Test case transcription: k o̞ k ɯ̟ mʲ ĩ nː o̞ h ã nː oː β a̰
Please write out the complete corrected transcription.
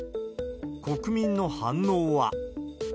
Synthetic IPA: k o̞ k ɯ̟ mʲ ĩ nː o̞ h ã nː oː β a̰